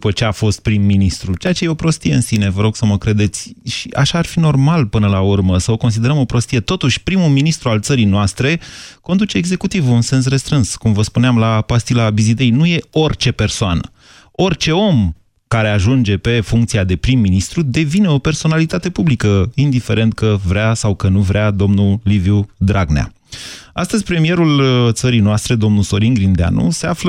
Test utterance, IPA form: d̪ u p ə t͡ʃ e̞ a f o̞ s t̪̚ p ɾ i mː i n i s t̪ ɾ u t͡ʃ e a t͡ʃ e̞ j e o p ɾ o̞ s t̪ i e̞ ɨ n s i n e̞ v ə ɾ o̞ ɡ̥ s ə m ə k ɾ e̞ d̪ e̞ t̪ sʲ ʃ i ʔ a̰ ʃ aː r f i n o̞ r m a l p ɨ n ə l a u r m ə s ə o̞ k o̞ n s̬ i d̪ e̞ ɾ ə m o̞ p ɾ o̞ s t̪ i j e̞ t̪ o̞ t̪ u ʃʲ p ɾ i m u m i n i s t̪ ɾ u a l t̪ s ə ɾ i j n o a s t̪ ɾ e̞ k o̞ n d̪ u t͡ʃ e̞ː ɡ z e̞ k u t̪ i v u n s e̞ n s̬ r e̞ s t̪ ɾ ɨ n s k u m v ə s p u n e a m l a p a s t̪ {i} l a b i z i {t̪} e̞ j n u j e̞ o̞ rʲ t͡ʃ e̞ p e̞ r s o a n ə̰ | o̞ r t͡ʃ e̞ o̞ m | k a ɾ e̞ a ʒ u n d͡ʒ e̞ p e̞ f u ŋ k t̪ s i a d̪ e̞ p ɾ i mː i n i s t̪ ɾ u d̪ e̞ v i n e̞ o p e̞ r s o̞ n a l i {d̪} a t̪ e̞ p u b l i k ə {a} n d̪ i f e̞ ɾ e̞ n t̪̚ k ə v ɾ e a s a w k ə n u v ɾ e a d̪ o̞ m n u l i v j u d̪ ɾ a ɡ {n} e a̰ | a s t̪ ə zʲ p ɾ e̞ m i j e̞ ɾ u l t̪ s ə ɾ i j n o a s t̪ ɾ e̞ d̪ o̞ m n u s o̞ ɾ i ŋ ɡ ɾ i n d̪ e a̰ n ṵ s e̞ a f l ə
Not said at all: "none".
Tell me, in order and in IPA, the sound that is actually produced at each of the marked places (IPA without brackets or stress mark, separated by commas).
i, d̪, t̪, i, n